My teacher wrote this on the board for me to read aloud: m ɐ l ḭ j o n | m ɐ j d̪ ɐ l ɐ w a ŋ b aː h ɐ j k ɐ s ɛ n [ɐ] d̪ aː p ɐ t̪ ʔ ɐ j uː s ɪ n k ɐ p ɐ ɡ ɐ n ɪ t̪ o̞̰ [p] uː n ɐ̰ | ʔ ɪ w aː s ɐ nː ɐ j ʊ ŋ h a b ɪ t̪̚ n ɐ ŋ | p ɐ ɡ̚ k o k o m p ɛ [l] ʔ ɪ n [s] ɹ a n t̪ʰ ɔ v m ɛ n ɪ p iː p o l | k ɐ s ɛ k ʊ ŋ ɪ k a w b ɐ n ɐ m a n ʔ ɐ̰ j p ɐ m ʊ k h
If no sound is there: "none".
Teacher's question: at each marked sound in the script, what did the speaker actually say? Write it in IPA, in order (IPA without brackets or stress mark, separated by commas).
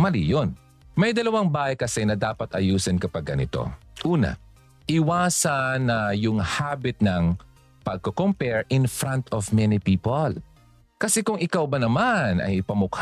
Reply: ɐ, ʔ, ɹ, f